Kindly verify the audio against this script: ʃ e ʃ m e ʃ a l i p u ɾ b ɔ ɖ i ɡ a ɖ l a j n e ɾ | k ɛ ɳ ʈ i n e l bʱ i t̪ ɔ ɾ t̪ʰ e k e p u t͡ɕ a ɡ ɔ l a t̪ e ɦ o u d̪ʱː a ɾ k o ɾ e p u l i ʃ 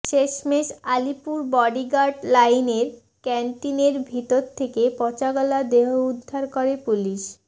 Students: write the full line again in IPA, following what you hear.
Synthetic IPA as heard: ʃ e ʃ m e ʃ a l i p u ɾ b ɔ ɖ i ɡ a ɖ l a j n e ɾ | k ɛ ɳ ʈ i n e ɾ bʱ i t̪ o ɾ t̪ʰ e k e p ɔ t͡ɕ a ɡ ɔ l a d̪ e ɦ o u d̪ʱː a ɾ k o ɾ e p u l i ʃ

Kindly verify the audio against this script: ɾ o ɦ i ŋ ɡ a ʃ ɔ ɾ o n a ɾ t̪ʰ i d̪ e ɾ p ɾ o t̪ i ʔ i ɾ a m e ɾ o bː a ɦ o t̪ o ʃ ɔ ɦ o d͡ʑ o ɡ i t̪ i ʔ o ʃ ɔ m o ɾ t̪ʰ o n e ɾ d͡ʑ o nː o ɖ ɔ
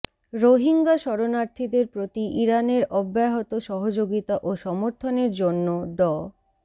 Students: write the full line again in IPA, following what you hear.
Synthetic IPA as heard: ɾ o ɦ i ŋ ɡ a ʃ ɔ ɾ o n a ɾ t̪ʰ i d̪ e ɾ p ɾ o t̪ i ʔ i ɾ a n e ɾ ɔ bː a ɦ o t̪ o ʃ ɔ ɦ o d͡ʑ o ɡ i t̪ a ʔ o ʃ ɔ m o ɾ t̪ʰ o n e ɾ d͡ʑ o nː o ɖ ɔ

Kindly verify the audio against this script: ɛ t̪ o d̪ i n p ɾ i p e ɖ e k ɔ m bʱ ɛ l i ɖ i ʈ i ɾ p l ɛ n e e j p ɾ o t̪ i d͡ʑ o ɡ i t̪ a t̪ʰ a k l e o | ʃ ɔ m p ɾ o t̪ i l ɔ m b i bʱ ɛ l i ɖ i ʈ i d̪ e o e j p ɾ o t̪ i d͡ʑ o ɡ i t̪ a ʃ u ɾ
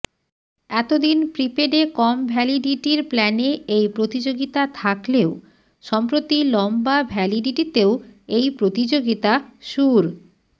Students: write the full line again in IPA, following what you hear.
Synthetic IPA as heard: ɛ t̪ o d̪ i n p ɾ i p e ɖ e k ɔ m bʱ ɛ l i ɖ i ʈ i ɾ p l ɛ n e e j p ɾ o t̪ i d͡ʑ o ɡ i t̪ a t̪ʰ a k l e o | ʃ ɔ m p ɾ o t̪ i l ɔ m b a bʱ ɛ l i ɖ i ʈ i t̪ e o e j p ɾ o t̪ i d͡ʑ o ɡ i t̪ a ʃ u ɾ

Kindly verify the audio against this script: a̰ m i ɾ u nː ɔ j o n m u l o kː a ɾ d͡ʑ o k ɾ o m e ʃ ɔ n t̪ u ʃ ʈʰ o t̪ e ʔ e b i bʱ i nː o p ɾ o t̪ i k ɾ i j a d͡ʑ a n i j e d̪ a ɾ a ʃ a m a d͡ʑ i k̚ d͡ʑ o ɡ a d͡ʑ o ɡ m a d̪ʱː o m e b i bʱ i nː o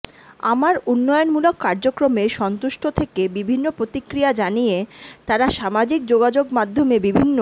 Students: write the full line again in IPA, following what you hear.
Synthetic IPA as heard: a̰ m a ɾ u nː ɔ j o n m u l o kː a ɾ d͡ʑ o k ɾ o m e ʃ ɔ n t̪ u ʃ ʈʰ o t̪ʰ e k e b i bʱ i nː o p ɾ o t̪ i k ɾ i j a d͡ʑ a n i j e t̪ a ɾ a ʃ a m a d͡ʑ i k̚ d͡ʑ o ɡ a d͡ʑ o ɡ m a d̪ʱː o m e b i bʱ i nː o

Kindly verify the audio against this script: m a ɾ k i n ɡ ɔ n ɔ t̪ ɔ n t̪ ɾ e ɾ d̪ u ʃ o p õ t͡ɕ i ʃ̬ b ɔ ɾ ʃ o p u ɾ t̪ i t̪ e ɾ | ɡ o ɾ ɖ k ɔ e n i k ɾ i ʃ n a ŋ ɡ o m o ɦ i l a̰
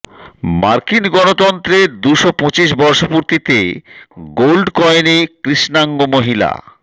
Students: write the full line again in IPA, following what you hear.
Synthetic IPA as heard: m a ɾ k i n ɡ ɔ n o t̪ ɔ n t̪ ɾ e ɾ d̪ u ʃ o p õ t͡ɕ i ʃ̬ b ɔ ɾ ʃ o p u ɾ t̪ i t̪ e | ɡ o l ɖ k ɔ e n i k ɾ i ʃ n a ŋ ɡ o m o ɦ i l a̰

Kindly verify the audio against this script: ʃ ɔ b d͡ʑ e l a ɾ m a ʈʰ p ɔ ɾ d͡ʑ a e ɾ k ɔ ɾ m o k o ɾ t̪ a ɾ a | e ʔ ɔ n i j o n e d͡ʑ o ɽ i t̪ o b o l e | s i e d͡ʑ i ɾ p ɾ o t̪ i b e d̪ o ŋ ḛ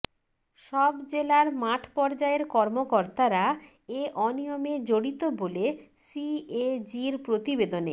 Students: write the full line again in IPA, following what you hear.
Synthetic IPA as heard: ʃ ɔ b d͡ʑ e l a ɾ m a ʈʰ p ɔ ɾ d͡ʑ a e ɾ k ɔ ɾ m o k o ɾ t̪ a ɾ a | e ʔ ɔ n i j o m e d͡ʑ o ɽ i t̪ o b o l e | s i e d͡ʑ i ɾ p ɾ o t̪ i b e d̪ o n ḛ

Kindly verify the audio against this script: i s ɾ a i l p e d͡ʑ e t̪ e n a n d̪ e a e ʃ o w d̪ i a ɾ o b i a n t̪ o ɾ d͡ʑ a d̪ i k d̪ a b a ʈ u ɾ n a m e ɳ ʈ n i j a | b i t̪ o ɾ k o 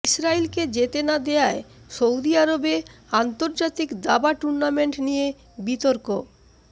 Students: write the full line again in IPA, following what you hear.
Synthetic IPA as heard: i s ɾ a i l k e d͡ʑ e t̪ e n a d̪ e a e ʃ o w d̪ i a ɾ o b e a n t̪ o ɾ d͡ʑ a t̪ i k d̪ a b a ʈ u ɾ n a m e ɳ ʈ n i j e | b i t̪ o ɾ k o

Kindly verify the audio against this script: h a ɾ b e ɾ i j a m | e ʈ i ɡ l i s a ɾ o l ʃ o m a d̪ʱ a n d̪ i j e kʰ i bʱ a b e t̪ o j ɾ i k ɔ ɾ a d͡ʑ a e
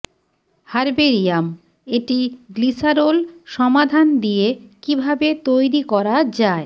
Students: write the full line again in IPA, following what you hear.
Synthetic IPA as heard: h a ɾ b e ɾ i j a m | e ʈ i ɡ l i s a ɾ o l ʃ ɔ m a d̪ʱ a n d̪ i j e k i bʱ a b e t̪ o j ɾ i k ɔ ɾ a d͡ʑ a e

